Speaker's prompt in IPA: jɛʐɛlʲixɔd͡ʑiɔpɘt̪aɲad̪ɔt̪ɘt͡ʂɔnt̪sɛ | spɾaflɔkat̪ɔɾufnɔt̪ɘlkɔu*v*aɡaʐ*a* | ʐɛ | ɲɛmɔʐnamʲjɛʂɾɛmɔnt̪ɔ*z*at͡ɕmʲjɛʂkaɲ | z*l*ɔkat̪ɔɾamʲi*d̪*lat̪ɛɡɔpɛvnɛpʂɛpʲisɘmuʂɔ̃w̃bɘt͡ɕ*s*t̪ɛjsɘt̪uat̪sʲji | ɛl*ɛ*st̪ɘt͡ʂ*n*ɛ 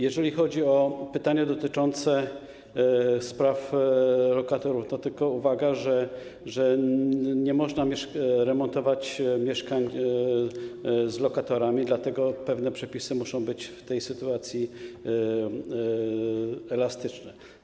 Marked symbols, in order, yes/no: yes, no, no, yes, yes, no, no, yes

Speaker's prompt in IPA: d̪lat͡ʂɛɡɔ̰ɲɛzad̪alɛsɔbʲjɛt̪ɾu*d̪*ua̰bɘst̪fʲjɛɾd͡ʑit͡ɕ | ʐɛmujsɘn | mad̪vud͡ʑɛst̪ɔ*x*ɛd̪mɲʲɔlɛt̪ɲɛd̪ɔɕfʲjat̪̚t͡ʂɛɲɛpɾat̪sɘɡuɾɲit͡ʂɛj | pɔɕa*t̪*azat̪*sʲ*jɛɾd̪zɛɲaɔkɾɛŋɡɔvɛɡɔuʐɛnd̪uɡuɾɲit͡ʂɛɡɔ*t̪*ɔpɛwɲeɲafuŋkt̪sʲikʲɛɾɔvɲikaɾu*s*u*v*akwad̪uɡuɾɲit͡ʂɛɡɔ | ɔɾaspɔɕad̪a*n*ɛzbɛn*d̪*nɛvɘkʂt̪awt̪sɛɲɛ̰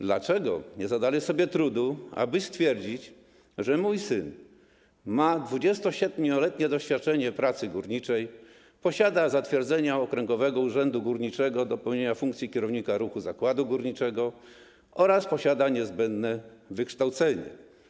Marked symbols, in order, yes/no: yes, no, no, no, no, no, no, no, yes

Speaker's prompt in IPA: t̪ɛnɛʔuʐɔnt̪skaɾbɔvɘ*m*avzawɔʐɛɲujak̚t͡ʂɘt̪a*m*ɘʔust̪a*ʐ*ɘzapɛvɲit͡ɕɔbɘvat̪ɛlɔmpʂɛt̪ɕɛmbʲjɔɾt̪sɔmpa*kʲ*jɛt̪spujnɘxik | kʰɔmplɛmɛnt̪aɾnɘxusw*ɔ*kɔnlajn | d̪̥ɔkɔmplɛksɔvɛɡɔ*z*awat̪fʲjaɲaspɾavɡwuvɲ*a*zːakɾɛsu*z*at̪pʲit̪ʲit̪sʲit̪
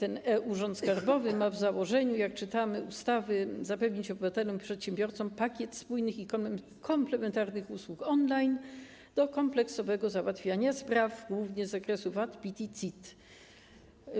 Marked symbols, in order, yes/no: yes, yes, no, yes, no, yes, no, no

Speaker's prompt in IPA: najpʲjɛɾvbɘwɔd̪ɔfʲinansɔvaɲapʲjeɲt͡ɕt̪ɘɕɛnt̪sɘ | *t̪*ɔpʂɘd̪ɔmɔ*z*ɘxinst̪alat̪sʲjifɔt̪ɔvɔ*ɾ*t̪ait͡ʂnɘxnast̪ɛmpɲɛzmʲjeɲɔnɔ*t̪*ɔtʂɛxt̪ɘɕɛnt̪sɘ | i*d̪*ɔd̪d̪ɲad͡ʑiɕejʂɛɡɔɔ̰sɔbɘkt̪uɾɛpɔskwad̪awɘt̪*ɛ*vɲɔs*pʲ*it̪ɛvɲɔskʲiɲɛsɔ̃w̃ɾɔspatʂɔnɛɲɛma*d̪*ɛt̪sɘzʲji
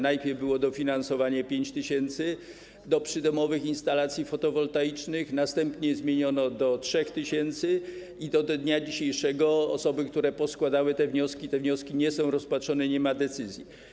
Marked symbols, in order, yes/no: no, no, no, no, yes, yes, no, yes

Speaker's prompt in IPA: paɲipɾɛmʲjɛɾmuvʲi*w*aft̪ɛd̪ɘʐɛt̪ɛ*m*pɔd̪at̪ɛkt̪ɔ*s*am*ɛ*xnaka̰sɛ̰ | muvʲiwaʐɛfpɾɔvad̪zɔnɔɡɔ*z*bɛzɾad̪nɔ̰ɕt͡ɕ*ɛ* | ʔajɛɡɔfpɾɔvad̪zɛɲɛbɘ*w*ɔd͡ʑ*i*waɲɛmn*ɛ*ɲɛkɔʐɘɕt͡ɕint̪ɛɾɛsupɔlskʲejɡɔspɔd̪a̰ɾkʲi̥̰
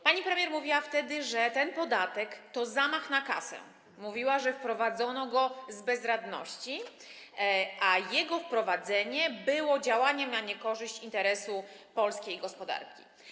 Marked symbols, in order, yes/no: yes, no, no, no, yes, no, yes, no, no

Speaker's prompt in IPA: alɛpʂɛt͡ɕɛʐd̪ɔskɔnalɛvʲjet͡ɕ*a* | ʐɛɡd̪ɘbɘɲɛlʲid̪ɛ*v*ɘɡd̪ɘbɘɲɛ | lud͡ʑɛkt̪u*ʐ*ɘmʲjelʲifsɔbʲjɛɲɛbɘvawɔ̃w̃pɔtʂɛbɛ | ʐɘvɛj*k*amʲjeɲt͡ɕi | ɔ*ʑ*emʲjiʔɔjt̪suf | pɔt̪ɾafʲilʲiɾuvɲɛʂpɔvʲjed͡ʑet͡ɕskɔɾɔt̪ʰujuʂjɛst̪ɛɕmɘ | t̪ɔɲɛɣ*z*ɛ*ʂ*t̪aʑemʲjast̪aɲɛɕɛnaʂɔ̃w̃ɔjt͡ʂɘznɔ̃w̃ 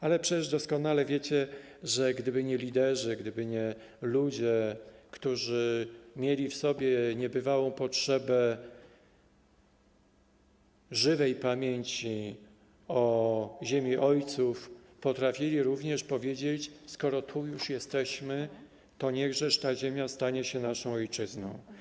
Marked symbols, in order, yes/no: no, no, yes, no, yes, no, yes

